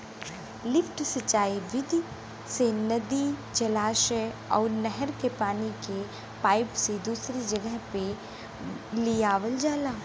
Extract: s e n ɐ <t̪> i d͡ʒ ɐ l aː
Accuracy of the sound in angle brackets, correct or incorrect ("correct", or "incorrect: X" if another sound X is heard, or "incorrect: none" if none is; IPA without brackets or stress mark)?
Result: incorrect: d̪